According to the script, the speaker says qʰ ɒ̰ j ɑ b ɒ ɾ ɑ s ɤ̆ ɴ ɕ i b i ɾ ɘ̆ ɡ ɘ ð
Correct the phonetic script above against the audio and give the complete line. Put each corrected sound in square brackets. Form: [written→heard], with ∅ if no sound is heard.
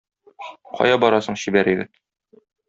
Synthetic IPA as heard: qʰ ɒ̰ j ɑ b ɒ ɾ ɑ s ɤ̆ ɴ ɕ i b [i→æ] ɾ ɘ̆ ɡ ɘ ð

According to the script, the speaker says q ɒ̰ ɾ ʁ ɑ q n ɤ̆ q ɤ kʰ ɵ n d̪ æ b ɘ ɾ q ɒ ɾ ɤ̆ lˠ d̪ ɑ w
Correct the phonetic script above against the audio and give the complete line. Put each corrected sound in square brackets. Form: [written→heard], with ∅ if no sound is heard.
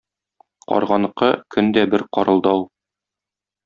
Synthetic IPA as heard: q ɒ̰ ɾ ʁ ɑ [q→∅] n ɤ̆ q ɤ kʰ ɵ n d̪ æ b ɘ ɾ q ɒ ɾ ɤ̆ lˠ d̪ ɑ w

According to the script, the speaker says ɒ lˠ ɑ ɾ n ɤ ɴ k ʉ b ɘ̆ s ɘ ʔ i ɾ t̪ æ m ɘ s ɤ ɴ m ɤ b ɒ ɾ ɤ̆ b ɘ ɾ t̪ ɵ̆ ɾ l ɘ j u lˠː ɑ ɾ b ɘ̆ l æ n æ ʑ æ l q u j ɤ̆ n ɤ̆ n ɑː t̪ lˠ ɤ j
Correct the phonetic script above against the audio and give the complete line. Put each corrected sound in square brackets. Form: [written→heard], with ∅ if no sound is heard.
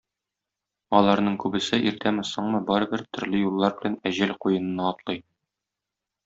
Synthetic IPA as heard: ɒ lˠ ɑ ɾ n ɤ ɴ k ʉ b ɘ̆ s ɘ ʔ i ɾ t̪ æ m ɘ s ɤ ɴ m ɤ b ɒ ɾ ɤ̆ b ɘ ɾ t̪ ɵ̆ ɾ l ɘ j u lˠː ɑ ɾ b ɘ̆ l æ n æ ʑ æ l q u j ɤ̆ n ɤ̆ n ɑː t̪ lˠ ɤ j

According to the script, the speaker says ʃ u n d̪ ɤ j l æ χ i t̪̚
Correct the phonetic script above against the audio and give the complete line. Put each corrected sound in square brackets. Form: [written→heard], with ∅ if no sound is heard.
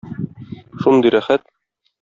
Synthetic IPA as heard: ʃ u n d̪ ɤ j [l→ɾ] æ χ [i→æ] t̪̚

